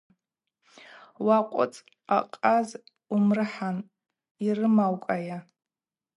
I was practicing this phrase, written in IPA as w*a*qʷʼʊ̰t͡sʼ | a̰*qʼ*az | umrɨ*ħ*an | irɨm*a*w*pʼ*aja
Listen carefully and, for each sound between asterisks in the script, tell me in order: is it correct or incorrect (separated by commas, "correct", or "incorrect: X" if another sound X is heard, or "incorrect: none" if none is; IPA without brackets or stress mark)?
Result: correct, correct, correct, correct, incorrect: kʼ